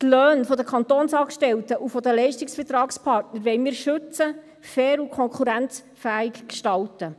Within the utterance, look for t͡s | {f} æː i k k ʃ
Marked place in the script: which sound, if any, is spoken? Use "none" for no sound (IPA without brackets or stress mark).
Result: f